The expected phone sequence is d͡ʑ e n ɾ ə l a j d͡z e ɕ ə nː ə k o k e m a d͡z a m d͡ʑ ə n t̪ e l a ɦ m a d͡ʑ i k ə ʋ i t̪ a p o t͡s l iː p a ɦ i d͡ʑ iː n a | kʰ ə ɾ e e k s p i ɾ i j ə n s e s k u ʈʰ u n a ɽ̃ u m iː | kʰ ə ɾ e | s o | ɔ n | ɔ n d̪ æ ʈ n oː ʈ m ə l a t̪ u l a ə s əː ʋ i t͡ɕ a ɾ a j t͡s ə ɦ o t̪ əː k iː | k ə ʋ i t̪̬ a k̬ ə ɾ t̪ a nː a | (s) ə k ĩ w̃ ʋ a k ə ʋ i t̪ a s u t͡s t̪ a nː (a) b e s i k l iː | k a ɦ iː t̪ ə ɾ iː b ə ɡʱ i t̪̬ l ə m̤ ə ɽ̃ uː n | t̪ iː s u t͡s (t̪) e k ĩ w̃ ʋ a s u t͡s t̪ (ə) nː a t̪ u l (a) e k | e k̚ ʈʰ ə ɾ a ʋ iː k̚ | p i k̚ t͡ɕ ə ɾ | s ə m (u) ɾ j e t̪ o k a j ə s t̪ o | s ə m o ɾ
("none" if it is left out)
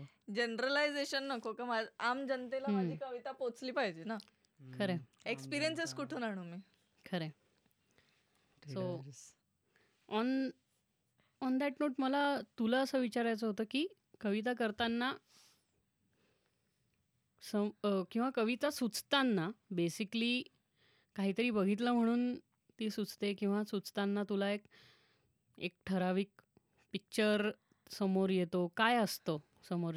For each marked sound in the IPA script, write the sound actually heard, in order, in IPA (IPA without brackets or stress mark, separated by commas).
s, a, t̪, a, a, o